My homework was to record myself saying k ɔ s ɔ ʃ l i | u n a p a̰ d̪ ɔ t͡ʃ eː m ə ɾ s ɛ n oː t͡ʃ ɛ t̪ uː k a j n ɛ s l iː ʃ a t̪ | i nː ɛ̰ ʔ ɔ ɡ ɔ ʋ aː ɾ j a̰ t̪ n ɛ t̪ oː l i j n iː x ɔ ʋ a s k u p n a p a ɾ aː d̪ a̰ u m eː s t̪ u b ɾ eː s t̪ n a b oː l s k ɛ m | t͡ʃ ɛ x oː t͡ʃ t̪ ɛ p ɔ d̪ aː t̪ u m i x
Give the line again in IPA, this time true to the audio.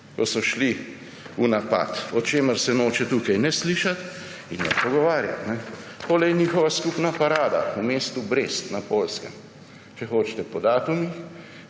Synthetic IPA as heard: k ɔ s ɔ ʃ l i | u n a p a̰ t̪ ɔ t͡ʃ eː m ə ɾ s ɛ n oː t͡ʃ ɛ t̪ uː k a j n ɛ s l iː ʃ a t̪ | i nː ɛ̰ p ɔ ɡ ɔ ʋ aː ɾ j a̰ t̪ n ɛ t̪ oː l ɛ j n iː x ɔ ʋ a s k u p n a p a ɾ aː d̪ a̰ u m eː s t̪ u b ɾ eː s t̪ n a p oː l s k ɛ m | t͡ʃ ɛ x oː t͡ʃ t̪ ɛ p ɔ d̪ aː t̪ u m i x